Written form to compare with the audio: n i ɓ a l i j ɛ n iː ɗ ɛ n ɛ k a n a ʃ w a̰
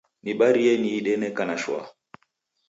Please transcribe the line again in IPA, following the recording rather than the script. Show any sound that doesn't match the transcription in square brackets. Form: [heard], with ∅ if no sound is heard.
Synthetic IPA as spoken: n i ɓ a [ɾ] i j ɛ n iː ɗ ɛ n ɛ k a n a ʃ w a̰